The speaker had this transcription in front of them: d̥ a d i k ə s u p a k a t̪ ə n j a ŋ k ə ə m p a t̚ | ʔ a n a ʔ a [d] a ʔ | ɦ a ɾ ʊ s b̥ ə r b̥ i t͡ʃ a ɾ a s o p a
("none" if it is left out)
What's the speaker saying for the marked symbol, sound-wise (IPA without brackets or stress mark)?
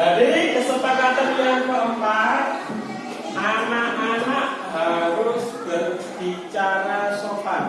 n